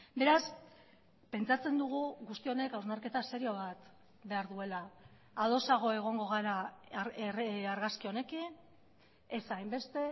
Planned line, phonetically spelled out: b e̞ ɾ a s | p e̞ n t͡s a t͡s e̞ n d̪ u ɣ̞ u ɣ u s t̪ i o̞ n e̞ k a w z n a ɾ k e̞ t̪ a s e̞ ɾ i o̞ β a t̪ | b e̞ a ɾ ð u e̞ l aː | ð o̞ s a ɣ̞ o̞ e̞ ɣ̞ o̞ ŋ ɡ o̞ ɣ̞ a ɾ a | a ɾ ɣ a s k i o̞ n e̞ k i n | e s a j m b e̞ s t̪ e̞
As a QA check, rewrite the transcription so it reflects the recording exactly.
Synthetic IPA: b e̞ ɾ a s | p e̞ n t͡s a t͡s e̞ n d̪ u ɣ̞ u ɣ u s t̪ i o̞ n e̞ k a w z n a ɾ k e̞ t̪ a s e̞ ɾ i o̞ β a t̪ | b e̞ a ɾ ð u e̞ l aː | ð o̞ s a ɣ̞ o̞ e̞ ɣ̞ o̞ ŋ ɡ o̞ ɣ̞ a ɾ a | a ɾ ɣ a s k i o̞ n e̞ k i n | e s a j m b e̞ s t̪ e̞